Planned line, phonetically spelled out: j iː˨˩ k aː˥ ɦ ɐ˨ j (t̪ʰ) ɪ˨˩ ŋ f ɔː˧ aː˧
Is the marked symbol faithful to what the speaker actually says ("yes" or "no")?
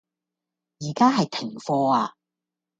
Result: yes